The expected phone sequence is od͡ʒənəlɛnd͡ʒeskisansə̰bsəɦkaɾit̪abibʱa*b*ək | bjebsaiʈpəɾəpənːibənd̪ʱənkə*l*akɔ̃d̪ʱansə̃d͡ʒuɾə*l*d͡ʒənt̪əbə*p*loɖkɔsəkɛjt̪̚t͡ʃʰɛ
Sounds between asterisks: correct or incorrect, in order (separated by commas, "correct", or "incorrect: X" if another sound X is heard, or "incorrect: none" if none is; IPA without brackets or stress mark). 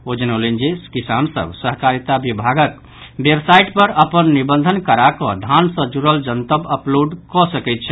incorrect: ɡ, incorrect: ɾ, correct, correct